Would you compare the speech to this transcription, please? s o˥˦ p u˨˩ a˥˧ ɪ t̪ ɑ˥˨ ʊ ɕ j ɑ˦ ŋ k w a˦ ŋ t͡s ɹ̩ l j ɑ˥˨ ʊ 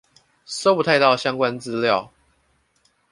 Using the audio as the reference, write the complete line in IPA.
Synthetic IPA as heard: s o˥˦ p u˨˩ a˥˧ ɪ t̪ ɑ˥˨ ʊ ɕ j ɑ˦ ŋ k w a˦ n t͡s ɹ̩ l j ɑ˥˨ ʊ